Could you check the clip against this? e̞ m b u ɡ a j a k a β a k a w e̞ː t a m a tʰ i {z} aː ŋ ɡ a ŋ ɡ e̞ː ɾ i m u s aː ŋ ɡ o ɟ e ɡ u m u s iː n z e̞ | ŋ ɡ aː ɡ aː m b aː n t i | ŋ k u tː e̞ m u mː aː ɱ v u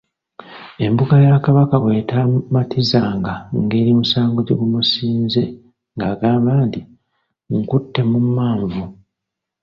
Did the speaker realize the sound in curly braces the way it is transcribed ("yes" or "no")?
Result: yes